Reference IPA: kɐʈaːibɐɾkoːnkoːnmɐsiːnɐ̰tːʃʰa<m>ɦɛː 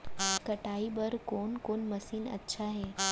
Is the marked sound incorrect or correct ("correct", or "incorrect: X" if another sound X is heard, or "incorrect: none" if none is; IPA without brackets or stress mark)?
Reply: incorrect: none